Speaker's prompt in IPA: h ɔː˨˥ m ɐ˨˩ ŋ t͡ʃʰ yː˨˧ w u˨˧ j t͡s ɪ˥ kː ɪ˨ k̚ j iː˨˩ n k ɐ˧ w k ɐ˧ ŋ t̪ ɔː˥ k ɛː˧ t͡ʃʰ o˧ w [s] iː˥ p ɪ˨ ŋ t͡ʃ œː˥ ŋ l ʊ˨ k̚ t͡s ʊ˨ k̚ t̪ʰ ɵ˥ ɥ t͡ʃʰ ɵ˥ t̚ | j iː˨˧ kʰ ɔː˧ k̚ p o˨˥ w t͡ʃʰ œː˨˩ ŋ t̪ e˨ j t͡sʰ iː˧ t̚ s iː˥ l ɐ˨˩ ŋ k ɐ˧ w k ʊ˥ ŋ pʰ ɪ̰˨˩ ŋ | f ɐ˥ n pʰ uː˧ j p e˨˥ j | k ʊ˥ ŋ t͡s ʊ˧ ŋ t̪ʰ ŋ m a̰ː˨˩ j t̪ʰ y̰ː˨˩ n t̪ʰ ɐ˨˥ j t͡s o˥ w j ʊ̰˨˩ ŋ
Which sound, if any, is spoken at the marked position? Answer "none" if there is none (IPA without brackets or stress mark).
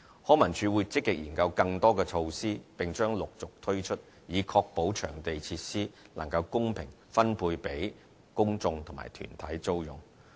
s